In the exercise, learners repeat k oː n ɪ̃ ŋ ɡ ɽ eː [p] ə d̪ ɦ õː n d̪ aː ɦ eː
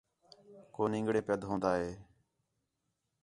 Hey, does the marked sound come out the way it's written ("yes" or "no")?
yes